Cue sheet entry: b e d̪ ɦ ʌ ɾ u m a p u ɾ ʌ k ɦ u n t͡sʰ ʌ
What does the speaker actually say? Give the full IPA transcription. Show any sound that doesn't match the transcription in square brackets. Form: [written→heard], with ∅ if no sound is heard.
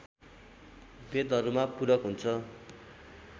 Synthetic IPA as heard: b e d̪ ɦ ʌ ɾ u m a p u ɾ ʌ k ɦ u n t͡sʰ ʌ